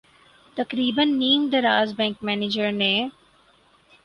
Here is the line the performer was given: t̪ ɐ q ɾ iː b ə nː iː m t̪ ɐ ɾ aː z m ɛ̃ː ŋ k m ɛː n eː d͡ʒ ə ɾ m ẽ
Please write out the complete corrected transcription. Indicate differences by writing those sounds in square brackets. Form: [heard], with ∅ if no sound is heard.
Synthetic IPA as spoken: t̪ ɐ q ɾ iː b ə nː iː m [d̪] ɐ ɾ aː z [b] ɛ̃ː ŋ k m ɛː n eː d͡ʒ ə ɾ [n] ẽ

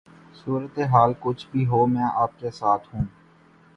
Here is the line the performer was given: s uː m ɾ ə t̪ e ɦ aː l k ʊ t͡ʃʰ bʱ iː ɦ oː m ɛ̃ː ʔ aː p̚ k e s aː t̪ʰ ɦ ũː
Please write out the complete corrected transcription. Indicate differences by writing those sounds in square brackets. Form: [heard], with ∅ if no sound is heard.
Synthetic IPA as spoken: s uː [∅] ɾ ə t̪ e ɦ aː l k ʊ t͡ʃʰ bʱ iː ɦ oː m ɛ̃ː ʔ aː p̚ k e s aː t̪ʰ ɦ ũː

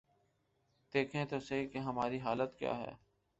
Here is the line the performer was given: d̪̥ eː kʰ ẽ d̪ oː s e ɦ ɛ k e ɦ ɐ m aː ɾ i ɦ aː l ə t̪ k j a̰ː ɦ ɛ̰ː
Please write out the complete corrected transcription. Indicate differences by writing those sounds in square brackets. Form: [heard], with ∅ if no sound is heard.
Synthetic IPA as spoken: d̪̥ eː kʰ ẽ [t̪] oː s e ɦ [i] k e ɦ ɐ m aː ɾ i ɦ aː l ə t̪ k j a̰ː ɦ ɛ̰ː

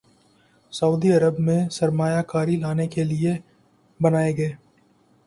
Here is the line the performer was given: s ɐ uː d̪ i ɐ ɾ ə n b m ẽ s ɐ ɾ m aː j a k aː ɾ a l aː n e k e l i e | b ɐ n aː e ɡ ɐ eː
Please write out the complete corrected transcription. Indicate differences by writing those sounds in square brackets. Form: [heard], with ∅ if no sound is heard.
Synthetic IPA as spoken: s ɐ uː d̪ i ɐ ɾ ə [∅] b m ẽ s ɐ ɾ m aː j a k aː ɾ [i] l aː n e k e l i e | b ɐ n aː e ɡ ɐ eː

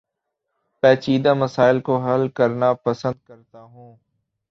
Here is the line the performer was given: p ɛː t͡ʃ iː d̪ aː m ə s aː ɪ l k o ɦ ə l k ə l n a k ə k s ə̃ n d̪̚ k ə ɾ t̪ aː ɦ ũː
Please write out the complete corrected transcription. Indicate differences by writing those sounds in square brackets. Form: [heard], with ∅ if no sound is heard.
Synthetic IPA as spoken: p ɛː t͡ʃ iː d̪ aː m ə s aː ɪ l k o ɦ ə l k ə [ɾ] n a [p] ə [∅] s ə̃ n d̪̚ k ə ɾ t̪ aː ɦ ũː

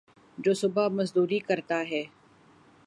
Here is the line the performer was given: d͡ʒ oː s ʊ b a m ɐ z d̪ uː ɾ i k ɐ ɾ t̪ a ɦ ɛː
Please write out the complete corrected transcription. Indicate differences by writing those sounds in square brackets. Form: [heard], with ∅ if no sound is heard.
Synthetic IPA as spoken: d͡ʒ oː s ʊ b a m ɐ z d̪ uː ɾ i k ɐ ɾ t̪ a ɦ ɛː

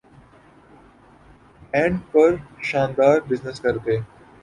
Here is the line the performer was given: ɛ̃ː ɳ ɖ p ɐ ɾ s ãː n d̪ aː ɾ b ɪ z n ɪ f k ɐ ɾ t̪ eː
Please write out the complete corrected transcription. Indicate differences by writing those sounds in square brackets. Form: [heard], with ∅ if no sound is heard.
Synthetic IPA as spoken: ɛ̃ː ɳ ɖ p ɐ ɾ [ʃ] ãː n d̪ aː ɾ b ɪ z n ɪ [s] k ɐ ɾ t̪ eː

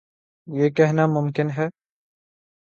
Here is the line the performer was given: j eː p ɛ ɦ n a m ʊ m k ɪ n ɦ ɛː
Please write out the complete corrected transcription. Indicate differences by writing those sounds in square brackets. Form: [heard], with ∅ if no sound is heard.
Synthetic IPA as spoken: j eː [k] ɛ ɦ n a m ʊ m k ɪ n ɦ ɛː

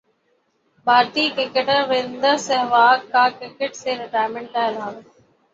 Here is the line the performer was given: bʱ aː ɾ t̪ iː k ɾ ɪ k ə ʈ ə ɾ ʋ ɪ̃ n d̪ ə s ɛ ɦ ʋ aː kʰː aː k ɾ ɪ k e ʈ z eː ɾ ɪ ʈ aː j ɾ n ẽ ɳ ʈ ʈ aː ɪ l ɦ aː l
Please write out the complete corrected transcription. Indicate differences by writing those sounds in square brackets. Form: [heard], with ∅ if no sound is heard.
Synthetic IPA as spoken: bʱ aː ɾ t̪ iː k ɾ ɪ k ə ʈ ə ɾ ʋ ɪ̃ n d̪ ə s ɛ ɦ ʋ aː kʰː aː k ɾ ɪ k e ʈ [s] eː ɾ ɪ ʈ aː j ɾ [m] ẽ ɳ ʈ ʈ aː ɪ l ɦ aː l

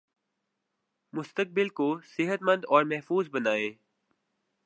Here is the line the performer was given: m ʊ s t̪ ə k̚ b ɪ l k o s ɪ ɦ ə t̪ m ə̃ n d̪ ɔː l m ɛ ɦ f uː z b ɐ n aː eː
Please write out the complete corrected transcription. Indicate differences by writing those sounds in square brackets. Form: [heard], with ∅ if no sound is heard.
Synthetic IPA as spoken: m ʊ s t̪ ə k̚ b ɪ l k o s ɪ ɦ ə t̪ m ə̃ n d̪ ɔː [ɾ] m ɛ ɦ f uː z b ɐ n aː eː

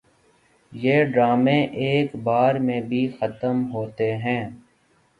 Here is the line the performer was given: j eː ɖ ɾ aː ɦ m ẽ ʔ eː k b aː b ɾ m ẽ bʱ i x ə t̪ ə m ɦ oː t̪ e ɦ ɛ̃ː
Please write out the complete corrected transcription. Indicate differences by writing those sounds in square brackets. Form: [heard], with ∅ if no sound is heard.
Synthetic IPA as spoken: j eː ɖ ɾ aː [∅] m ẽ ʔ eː k b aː [∅] ɾ m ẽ bʱ i x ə t̪ ə m ɦ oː t̪ e ɦ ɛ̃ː

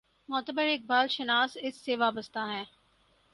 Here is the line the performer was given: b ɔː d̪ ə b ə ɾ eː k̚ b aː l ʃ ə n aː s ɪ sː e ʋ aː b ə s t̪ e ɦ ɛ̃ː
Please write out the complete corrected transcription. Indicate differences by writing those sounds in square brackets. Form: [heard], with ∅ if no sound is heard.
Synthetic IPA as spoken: [m] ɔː [t̪] ə b ə ɾ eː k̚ b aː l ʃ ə n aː s ɪ sː e ʋ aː b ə s t̪ [a] ɦ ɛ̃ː

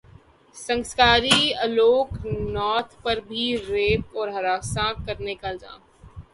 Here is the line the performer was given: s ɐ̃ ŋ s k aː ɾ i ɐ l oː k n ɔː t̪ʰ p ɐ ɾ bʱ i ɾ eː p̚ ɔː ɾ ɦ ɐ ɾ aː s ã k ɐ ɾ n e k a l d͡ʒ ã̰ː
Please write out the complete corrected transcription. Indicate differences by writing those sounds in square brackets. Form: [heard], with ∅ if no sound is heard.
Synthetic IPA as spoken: s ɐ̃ ŋ s k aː ɾ i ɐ l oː k n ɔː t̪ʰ p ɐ ɾ bʱ i ɾ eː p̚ ɔː ɾ ɦ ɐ ɾ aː s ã k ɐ ɾ n e k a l d͡ʒ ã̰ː

